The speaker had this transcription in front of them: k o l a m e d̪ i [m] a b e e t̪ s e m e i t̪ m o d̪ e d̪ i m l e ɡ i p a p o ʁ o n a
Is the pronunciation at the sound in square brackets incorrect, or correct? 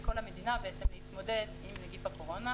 incorrect